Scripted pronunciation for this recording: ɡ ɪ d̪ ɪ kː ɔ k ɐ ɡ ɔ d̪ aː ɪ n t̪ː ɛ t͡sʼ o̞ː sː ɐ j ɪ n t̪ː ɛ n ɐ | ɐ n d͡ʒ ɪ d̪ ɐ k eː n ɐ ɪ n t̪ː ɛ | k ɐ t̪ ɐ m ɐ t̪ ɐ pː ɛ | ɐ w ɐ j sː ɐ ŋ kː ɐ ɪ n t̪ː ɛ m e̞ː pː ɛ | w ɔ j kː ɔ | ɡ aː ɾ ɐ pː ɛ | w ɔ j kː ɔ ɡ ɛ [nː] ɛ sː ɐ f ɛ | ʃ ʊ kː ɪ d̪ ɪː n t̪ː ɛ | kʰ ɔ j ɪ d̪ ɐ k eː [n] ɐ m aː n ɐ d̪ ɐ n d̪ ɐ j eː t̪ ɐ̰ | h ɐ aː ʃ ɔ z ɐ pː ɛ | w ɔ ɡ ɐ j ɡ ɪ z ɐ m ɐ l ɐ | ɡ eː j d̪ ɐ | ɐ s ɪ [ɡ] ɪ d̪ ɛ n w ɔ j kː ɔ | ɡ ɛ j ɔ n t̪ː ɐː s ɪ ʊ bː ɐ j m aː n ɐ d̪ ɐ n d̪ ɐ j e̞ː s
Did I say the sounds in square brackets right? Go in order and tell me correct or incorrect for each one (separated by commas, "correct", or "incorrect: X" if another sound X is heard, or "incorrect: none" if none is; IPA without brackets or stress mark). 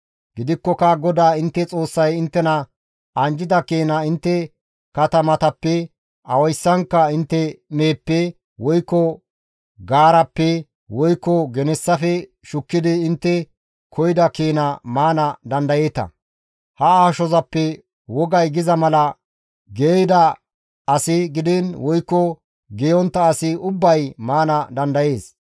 incorrect: n, correct, correct